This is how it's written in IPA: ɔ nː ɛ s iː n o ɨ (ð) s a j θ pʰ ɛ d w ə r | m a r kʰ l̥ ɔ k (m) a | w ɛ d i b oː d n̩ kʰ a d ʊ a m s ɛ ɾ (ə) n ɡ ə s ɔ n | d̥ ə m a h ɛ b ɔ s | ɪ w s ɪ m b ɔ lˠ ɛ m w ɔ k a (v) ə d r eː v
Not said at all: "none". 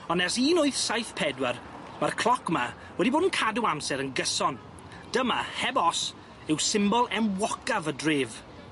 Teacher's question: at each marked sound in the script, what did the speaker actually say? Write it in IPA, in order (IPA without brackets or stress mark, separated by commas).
θ, m, ə, v